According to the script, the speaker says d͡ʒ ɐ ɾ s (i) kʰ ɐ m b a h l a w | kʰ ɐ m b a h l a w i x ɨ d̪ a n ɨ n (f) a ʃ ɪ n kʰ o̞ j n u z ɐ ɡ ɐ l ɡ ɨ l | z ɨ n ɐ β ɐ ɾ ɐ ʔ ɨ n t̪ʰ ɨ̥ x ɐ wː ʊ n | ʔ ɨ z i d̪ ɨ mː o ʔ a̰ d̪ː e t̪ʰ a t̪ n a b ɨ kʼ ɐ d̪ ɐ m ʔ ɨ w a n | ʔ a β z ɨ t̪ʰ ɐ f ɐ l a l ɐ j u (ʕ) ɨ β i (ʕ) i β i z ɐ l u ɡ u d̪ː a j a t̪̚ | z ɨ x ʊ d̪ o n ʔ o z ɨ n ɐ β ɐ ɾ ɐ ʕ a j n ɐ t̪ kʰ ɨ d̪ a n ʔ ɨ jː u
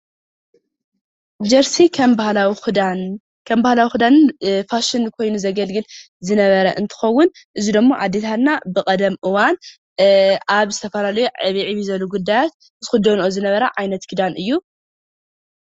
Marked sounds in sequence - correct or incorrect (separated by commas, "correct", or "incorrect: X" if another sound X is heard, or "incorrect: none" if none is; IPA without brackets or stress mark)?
correct, correct, correct, correct